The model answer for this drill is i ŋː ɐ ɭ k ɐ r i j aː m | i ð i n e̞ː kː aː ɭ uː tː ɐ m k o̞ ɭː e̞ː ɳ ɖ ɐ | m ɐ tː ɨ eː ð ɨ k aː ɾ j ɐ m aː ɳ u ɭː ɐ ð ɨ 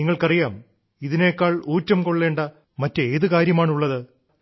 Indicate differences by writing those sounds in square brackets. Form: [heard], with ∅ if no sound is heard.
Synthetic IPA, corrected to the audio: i ŋː ɐ ɭ k ɐ r i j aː m | i ð i n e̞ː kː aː ɭ uː tː ɐ m k o̞ ɭː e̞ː ɳ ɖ ɐ | m ɐ tː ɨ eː ð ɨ k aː ɾ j ɐ m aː ɳ u ɭː ɐ ð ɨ

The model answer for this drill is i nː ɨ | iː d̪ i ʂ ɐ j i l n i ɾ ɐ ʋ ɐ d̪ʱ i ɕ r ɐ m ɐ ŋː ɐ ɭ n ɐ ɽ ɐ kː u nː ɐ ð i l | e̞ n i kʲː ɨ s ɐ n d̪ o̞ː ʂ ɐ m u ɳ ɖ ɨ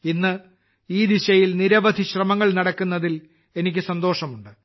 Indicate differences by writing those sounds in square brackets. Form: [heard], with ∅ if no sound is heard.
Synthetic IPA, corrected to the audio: i nː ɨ | iː d̪ i [ɕ] ɐ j i l n i ɾ ɐ ʋ ɐ d̪ʱ i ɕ r ɐ m ɐ ŋː ɐ ɭ n ɐ ɽ ɐ kː u nː ɐ ð i l | e̞ n i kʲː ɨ s ɐ n d̪ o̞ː ʂ ɐ m u ɳ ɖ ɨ

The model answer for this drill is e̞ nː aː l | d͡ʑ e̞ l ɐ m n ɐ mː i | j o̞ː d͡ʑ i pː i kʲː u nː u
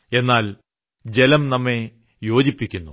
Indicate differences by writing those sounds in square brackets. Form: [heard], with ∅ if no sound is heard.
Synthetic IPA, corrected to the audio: e̞ nː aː l | d͡ʑ e̞ l ɐ m n ɐ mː [e] | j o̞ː d͡ʑ i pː i kʲː u nː u

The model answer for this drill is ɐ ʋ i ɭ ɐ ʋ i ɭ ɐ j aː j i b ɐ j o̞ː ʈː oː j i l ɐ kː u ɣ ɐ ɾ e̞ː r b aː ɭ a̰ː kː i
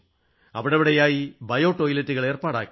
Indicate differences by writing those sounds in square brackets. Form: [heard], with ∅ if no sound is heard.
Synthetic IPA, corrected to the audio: ɐ ʋ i [ɽ] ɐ ʋ i [ɽ] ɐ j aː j i b ɐ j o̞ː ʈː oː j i l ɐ [tː] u ɣ ɐ [ɭ] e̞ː r [p] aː [ɽ] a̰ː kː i

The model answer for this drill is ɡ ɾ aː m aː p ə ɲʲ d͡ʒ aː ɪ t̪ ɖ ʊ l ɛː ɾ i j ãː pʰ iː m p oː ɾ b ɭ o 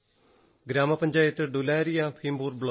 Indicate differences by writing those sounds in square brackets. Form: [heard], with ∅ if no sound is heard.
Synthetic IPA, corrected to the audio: ɡ ɾ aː m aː p ə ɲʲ d͡ʒ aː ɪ t̪ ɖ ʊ l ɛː ɾ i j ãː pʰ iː m [b] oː ɾ b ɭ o

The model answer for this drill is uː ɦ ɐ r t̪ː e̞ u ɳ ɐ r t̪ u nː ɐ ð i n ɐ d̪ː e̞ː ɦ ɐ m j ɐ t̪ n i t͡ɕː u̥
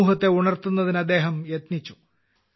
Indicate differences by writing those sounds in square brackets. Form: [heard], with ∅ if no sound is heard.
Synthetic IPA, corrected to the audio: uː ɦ ɐ [∅] t̪ː e̞ u ɳ ɐ r t̪ u nː ɐ ð i n ɐ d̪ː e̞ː ɦ ɐ m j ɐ t̪ n i t͡ɕː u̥

